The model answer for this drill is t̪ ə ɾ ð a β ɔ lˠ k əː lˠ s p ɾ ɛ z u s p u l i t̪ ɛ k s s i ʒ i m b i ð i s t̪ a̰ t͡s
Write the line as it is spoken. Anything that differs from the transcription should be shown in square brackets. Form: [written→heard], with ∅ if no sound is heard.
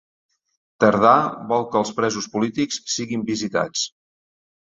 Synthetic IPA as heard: t̪ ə ɾ ð a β ɔ lˠ k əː lˠ s p ɾ ɛ z u s p u l i t̪ [ɛ→i] k s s i [ʒ→ɣ] i m b i [ð→z] i [s→∅] t̪ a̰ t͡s